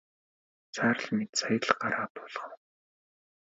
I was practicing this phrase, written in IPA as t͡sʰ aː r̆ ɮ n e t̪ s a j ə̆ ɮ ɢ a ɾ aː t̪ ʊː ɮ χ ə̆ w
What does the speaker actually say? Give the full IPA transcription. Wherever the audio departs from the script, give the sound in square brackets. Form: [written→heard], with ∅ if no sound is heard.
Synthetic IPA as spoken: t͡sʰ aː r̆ ɮ [n→m] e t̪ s a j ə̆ ɮ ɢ a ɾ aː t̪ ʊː ɮ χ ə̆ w